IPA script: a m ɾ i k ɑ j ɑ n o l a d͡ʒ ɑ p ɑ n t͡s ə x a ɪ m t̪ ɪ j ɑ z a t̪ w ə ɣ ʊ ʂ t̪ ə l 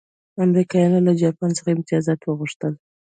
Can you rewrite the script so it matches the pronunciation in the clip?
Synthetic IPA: a m ɾ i k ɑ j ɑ n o l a d͡ʒ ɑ p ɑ n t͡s ə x a ɪ m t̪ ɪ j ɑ z ɑ t̪ w ə ɣ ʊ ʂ t̪ ə l